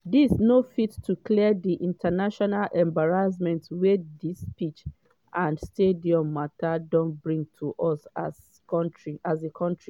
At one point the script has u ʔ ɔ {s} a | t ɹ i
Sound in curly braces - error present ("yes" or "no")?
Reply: no